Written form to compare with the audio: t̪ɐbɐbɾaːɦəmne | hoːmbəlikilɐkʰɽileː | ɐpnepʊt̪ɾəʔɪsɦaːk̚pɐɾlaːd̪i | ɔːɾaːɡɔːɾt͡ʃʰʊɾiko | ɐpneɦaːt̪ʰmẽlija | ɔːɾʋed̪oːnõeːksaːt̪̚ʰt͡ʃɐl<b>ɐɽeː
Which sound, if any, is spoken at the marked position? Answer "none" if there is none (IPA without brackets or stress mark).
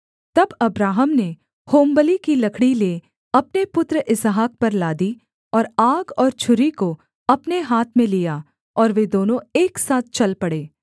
p